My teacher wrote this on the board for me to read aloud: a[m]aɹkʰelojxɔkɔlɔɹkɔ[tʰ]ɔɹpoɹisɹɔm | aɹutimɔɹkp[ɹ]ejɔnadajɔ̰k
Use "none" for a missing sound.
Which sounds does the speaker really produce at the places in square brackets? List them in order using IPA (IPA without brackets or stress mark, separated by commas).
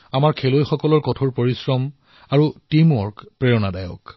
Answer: m, tʰ, ɹ